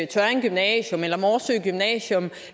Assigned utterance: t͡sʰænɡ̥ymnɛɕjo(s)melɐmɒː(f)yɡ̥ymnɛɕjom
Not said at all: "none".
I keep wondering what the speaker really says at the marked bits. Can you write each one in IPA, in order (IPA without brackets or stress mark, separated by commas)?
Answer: none, s